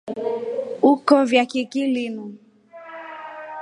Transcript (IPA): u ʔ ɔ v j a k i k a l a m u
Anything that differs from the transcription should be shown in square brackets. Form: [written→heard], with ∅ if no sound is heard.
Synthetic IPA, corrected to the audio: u [ʔ→k] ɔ v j a k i k [a→i] l [a→i] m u